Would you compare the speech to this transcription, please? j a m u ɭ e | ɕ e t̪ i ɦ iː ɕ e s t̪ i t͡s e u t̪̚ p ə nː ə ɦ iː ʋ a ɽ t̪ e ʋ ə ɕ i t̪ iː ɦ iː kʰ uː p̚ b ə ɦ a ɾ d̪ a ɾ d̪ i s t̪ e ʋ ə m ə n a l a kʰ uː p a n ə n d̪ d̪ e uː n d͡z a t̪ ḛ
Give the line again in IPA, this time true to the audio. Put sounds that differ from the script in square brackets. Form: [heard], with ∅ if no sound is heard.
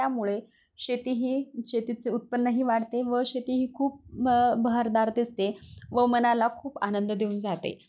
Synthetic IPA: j a m u ɭ e | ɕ e t̪ i ɦ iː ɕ e [∅] t̪ i t͡s e u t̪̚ p ə nː ə ɦ iː ʋ a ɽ t̪ e ʋ ə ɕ [e] t̪ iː ɦ iː kʰ uː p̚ b ə ɦ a ɾ d̪ a ɾ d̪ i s t̪ e ʋ ə m ə n a l a kʰ uː p a n ə n d̪ d̪ e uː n d͡z a t̪ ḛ